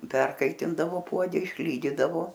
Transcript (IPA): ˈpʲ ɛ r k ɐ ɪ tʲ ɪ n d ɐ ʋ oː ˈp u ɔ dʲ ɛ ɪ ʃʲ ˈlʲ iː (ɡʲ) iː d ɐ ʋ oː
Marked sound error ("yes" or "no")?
yes